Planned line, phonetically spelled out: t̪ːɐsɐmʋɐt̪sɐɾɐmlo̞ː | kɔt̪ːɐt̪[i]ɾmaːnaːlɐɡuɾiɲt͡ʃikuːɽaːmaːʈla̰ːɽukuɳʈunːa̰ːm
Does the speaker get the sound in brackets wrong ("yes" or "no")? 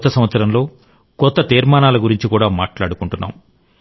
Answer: yes